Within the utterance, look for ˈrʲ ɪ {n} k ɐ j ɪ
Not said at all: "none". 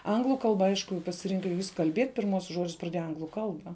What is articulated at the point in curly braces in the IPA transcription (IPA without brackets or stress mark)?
ŋ